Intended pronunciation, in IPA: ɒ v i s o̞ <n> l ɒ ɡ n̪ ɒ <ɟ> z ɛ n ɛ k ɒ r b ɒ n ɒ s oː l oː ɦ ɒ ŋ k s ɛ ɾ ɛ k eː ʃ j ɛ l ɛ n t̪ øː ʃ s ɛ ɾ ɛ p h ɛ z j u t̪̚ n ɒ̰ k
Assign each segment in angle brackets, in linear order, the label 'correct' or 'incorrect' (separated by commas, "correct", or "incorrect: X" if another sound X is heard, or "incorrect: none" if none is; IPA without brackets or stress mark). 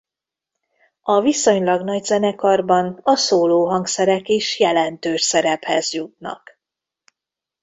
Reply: incorrect: ɲ, correct